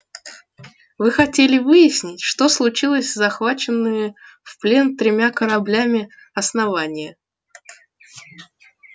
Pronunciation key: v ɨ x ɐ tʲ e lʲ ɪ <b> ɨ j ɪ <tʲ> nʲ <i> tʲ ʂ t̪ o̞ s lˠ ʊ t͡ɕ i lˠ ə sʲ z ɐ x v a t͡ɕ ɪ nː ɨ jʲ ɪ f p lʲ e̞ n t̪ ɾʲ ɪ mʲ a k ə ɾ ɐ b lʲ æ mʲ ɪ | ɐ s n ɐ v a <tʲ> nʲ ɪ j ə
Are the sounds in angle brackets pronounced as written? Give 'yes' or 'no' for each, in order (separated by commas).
no, no, no, no